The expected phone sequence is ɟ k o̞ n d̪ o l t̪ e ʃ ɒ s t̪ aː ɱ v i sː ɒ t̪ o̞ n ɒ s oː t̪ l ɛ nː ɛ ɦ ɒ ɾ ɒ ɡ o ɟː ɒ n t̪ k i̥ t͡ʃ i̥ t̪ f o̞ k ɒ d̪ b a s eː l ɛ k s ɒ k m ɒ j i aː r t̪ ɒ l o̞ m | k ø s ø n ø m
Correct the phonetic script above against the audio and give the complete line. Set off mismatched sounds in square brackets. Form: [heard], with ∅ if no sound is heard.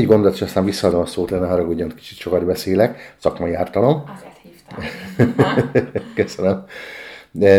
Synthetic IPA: ɟ [ɡ] o̞ n d̪ o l t̪ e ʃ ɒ s t̪ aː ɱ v i sː ɒ [d̪] o̞ [m] ɒ s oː t̪ l ɛ nː ɛ ɦ ɒ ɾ ɒ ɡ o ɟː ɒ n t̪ k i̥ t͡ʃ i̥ t̪ [ʃ] o̞ k ɒ d̪ b [ɛ] s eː l ɛ k s ɒ k m ɒ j i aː r t̪ ɒ l o̞ m | k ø s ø n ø m